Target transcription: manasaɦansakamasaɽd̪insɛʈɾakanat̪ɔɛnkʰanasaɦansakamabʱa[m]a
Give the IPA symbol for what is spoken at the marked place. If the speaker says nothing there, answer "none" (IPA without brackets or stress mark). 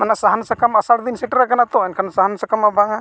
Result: ŋ